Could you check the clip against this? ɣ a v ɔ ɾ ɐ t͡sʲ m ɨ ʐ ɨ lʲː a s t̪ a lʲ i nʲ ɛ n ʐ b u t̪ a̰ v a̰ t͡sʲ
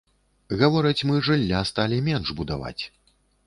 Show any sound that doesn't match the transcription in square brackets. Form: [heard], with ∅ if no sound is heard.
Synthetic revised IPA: ɣ a v ɔ ɾ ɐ t͡sʲ m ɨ ʐ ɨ lʲː a s t̪ a lʲ i [mʲ] ɛ n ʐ b u [d̪] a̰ v a̰ t͡sʲ